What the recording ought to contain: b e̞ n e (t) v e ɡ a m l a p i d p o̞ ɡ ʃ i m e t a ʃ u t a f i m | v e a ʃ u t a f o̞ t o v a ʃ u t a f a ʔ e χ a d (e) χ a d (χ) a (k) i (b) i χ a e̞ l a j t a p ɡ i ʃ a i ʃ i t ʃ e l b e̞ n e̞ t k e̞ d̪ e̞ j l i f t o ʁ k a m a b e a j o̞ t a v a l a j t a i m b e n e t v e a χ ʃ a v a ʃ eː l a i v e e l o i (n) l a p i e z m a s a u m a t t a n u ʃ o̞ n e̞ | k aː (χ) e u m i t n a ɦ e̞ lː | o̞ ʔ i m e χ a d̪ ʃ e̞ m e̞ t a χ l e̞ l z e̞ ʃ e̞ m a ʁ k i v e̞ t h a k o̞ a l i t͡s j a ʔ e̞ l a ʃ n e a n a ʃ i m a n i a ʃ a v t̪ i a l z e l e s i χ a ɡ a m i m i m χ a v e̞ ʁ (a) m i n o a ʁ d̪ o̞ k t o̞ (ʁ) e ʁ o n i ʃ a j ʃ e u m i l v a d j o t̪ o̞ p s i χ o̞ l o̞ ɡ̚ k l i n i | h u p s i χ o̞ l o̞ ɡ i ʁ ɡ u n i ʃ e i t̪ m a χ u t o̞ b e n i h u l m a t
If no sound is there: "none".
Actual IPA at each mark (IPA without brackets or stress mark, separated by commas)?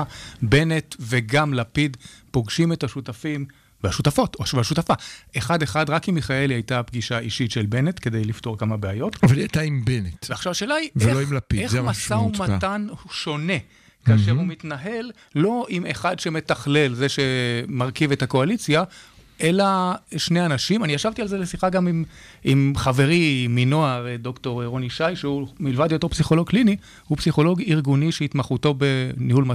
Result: t, e, ʁ, k, m, m, ʃ, i, ʁ